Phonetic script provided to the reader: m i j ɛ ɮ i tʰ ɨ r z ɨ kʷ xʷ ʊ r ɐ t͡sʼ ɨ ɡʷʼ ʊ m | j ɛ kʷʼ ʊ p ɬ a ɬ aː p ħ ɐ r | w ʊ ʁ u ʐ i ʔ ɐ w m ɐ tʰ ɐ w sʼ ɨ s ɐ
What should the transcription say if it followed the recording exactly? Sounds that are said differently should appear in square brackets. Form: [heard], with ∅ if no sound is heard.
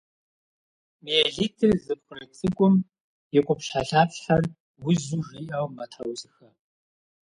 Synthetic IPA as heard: m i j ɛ ɮ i tʰ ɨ r z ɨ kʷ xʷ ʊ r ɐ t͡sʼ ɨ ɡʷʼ ʊ m | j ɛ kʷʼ ʊ p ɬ a ɬ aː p ħ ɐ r | w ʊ [z] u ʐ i ʔ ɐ w m ɐ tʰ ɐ w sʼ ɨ [x] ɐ